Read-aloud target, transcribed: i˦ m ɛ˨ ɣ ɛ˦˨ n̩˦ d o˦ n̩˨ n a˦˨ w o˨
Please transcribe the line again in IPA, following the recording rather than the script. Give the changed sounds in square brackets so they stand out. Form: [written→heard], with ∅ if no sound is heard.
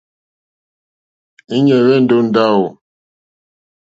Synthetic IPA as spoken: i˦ [m→ɲ] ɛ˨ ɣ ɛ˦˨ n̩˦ d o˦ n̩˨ [n→d] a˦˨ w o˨